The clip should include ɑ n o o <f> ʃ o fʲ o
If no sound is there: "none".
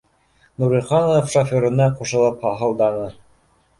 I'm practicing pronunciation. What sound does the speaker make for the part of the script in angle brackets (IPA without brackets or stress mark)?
f